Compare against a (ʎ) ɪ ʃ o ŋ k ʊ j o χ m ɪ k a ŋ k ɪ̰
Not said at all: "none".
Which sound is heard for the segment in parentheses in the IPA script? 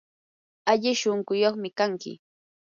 ʎ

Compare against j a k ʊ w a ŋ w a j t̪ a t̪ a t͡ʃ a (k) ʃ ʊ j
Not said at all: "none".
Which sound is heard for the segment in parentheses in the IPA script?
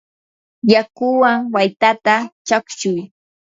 k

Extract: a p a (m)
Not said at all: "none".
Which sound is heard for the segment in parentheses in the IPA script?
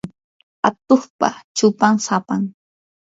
ŋ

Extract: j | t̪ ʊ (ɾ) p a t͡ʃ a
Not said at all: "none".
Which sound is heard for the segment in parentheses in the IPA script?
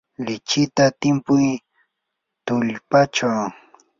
ʎ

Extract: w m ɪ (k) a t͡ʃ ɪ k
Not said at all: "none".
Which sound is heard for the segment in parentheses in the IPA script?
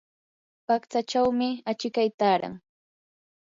none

